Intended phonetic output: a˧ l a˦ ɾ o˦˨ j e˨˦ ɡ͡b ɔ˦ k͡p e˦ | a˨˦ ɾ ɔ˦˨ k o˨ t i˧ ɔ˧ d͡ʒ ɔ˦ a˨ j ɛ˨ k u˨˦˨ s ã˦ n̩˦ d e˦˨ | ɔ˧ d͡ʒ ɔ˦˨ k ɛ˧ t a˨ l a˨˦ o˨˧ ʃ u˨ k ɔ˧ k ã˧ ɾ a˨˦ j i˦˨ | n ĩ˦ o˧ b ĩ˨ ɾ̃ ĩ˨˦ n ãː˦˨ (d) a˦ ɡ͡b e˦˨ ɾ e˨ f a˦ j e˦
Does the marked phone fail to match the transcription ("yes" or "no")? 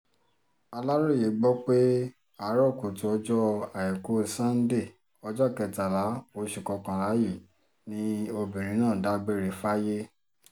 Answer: no